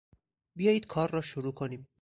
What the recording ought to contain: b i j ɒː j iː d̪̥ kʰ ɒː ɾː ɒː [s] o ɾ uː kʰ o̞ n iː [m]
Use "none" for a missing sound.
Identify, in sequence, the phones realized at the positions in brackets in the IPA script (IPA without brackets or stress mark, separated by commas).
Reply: ʃ, m